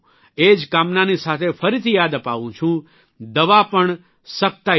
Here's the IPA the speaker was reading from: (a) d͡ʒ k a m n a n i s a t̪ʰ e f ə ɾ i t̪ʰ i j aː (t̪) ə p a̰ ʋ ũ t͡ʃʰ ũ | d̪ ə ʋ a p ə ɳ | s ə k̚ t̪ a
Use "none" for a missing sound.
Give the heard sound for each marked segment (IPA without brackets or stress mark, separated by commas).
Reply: e, d̪